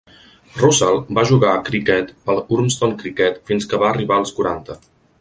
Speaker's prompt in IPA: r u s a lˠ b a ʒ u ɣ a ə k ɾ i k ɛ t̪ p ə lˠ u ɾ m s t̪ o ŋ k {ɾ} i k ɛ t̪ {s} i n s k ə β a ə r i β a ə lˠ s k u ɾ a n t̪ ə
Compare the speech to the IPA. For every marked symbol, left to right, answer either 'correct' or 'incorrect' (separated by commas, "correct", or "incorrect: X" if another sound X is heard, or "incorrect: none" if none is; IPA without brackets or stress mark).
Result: correct, incorrect: f